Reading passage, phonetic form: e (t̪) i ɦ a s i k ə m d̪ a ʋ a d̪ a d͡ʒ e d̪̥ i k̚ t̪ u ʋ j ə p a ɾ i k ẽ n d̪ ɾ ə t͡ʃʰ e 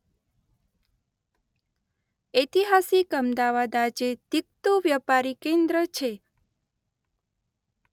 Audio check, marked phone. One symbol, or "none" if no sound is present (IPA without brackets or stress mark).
t̪